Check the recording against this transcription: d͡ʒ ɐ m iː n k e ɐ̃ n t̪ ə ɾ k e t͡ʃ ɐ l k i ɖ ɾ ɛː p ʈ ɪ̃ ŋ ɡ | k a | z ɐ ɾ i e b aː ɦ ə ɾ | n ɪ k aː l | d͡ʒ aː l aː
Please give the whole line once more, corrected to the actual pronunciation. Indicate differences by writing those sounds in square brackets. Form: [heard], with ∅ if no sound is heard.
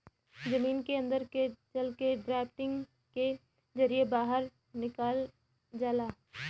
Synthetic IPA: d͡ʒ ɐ m iː n k e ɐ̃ n [d̪] ə ɾ k e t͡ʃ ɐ l k [e] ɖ ɾ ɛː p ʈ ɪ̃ ŋ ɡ | k [e] | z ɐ ɾ i e b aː ɦ ə ɾ | n ɪ k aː l | d͡ʒ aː l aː